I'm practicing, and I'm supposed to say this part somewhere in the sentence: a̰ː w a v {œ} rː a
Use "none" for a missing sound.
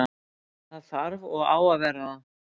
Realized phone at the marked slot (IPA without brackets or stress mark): ɛ